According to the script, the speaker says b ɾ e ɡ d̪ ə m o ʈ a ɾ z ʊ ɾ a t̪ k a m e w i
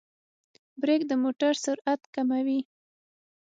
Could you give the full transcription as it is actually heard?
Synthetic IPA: b ɾ e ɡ d̪ ə m o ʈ a ɾ s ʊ ɾ a t̪ k a m a w i